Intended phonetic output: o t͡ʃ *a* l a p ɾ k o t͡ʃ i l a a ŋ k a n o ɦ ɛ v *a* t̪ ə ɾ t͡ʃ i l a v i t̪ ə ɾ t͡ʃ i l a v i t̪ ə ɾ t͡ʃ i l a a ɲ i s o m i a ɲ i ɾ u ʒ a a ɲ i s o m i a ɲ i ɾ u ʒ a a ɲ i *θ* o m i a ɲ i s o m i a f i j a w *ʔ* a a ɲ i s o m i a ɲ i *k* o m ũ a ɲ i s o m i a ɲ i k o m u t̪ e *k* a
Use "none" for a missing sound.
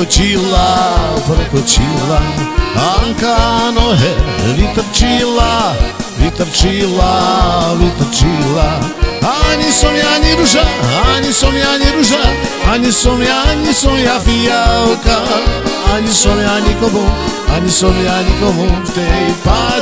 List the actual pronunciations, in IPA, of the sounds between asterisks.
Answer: i, i, s, k, k, p

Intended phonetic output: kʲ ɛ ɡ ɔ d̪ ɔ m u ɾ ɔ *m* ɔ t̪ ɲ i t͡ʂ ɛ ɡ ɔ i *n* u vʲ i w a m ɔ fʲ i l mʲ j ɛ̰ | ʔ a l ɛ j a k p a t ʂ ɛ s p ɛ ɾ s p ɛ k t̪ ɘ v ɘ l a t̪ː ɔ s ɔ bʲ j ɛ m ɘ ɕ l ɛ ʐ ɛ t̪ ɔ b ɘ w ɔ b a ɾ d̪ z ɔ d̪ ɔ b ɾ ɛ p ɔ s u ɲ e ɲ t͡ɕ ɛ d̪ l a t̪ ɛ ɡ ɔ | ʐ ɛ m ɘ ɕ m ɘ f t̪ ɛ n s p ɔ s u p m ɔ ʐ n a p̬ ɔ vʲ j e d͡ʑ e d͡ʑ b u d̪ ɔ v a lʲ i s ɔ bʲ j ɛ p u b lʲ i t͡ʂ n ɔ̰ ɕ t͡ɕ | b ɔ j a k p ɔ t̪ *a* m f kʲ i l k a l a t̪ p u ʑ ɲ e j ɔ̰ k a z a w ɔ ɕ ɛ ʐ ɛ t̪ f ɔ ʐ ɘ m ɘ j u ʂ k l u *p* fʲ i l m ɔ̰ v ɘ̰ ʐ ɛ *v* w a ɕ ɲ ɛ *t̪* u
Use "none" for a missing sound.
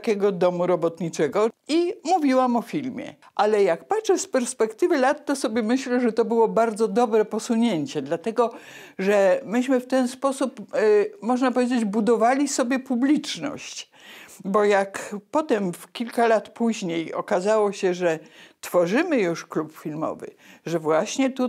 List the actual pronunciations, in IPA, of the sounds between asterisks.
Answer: b, m, ɛ, p, v, t̪

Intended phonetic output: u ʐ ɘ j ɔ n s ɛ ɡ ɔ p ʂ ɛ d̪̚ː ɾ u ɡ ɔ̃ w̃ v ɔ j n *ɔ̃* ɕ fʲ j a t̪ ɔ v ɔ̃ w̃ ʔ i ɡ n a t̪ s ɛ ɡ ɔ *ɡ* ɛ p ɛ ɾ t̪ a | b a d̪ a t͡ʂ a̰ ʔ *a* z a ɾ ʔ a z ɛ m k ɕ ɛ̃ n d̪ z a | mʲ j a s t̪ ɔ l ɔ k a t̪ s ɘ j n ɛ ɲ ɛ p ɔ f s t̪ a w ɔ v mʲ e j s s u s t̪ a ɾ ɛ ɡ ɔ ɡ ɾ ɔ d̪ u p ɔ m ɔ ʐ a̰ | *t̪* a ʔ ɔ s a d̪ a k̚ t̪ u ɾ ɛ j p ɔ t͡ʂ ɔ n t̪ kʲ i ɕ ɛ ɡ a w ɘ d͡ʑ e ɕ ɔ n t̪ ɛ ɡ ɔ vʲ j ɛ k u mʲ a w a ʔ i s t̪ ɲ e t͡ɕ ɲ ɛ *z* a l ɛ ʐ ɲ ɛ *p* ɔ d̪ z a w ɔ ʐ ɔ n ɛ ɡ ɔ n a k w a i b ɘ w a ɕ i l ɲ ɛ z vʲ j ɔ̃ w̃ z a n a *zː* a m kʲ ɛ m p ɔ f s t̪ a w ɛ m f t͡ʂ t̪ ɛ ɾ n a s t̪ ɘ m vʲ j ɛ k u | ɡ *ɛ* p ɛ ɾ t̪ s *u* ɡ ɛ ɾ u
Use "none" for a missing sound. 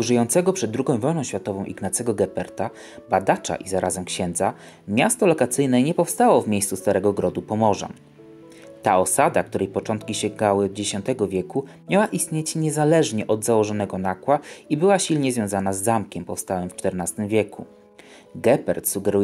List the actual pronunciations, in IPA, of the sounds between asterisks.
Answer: ɔ̃, ɡ, i, t̪, z, ʔ, zː, ɛ, u

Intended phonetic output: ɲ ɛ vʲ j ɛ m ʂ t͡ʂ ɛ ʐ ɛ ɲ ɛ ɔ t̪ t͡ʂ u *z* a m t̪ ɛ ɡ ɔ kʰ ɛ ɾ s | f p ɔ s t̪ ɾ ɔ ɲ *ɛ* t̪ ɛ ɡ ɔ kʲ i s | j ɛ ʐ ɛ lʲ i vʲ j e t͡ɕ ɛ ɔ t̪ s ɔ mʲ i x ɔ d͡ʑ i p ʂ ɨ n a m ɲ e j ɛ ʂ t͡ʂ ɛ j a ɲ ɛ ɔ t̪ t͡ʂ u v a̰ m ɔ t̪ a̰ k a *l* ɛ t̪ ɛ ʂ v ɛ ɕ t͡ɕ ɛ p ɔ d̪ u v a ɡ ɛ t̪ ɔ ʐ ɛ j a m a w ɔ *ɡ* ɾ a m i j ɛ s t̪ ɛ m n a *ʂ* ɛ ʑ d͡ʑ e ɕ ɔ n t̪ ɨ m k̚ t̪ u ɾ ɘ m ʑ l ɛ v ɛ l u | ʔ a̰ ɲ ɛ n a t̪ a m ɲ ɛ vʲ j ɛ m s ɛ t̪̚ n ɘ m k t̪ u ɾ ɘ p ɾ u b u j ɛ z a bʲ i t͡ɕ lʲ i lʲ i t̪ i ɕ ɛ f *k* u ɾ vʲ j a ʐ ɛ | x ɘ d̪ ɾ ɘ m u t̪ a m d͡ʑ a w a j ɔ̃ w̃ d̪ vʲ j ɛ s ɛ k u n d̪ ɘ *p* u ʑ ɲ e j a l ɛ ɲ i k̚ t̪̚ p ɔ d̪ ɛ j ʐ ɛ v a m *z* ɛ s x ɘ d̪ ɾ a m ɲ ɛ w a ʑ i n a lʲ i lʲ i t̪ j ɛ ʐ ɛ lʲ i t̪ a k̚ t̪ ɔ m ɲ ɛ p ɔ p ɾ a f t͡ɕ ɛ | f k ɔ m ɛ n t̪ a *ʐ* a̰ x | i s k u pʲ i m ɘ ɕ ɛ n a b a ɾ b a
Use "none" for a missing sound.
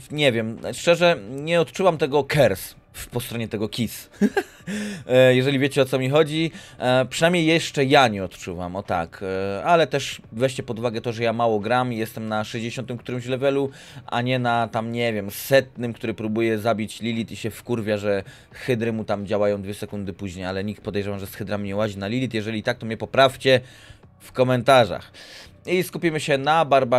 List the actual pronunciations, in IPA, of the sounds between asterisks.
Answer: v, ɛ, l, ɡ, ʂ, k, p, ʐ, ʐ

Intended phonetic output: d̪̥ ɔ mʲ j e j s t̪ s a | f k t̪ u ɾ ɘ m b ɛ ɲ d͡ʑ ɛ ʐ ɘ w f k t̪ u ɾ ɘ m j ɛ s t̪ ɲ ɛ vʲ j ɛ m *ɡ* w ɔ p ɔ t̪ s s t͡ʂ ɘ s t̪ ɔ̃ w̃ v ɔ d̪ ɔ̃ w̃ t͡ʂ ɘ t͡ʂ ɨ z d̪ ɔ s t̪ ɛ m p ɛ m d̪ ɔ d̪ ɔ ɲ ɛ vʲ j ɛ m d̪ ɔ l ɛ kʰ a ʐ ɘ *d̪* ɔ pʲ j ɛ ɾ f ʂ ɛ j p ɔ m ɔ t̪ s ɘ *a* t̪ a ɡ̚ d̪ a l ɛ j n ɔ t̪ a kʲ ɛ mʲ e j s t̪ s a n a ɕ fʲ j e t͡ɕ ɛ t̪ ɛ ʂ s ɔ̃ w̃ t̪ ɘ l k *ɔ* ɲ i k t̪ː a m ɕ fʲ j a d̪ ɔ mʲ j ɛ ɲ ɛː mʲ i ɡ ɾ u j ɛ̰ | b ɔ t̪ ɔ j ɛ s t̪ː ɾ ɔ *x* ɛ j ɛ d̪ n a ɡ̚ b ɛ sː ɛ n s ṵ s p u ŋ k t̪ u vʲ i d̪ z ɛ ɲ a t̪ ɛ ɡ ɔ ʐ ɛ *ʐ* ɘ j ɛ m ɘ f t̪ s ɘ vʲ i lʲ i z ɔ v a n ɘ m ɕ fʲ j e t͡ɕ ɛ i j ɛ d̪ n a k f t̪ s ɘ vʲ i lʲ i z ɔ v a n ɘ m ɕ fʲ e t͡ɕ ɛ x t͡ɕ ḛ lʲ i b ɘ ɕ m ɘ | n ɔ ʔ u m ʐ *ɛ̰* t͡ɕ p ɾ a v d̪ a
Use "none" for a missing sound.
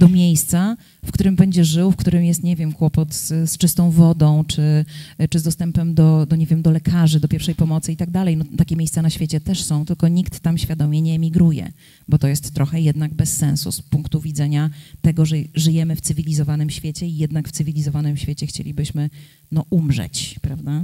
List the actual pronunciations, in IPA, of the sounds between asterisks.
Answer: k, d̪, i, ɔ, x, ʐ, ɛ̰

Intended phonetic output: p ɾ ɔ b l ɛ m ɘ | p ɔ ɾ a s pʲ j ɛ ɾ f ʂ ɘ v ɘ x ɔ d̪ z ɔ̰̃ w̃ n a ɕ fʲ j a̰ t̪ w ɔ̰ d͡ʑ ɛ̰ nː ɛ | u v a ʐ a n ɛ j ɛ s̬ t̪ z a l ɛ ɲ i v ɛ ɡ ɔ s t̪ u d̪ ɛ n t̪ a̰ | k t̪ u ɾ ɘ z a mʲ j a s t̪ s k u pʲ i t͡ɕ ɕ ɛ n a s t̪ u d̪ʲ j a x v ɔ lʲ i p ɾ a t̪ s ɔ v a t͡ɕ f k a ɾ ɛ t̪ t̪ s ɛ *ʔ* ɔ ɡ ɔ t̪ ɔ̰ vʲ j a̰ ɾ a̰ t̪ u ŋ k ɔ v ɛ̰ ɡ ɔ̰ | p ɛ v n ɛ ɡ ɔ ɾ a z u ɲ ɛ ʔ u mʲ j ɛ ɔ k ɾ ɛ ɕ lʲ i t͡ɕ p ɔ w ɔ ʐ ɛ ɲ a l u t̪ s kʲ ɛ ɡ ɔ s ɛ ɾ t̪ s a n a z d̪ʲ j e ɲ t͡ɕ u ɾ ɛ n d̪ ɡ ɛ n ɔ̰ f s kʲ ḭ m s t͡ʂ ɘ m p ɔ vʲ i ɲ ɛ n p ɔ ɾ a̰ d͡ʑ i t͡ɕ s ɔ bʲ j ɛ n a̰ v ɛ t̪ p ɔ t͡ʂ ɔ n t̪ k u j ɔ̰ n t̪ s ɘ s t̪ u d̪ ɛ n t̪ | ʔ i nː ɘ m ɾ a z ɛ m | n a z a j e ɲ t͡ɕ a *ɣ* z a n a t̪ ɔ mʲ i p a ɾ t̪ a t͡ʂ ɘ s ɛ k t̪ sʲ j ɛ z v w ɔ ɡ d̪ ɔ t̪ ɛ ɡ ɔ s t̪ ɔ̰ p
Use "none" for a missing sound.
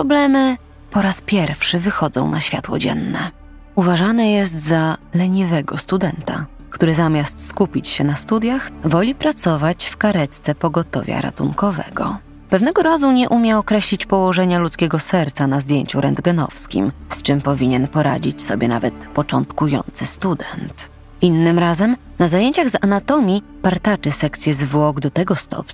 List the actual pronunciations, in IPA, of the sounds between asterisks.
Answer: p, ɣ

